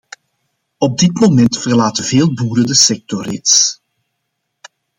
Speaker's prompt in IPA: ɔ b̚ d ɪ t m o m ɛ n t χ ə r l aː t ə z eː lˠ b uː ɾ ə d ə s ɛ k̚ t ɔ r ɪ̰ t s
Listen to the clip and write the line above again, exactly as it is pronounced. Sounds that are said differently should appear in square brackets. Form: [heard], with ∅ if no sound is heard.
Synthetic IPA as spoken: ɔ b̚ d ɪ t m o m ɛ n t [f] ə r l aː t ə [v] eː lˠ b uː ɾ ə d ə s ɛ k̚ t ɔ r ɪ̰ t s